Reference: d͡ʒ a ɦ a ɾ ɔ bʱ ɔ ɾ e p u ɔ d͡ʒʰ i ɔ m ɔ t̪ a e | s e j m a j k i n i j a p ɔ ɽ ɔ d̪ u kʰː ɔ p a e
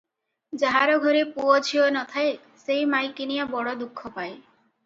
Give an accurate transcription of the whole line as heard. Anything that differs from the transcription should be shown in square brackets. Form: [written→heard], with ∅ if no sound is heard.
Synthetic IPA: d͡ʒ a ɦ a ɾ ɔ [bʱ→ɡʱ] ɔ ɾ e p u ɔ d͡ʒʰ i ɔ [m→n] ɔ [t̪→t̪ʰ] a e | s e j m a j k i n i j a [p→b] ɔ ɽ ɔ d̪ u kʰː ɔ p a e